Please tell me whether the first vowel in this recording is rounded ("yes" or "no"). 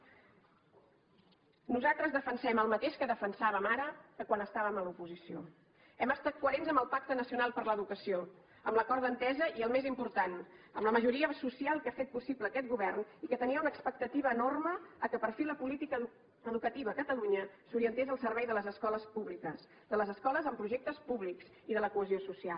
yes